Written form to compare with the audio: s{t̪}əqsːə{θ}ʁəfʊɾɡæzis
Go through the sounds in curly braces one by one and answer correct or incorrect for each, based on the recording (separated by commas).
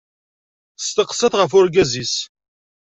correct, correct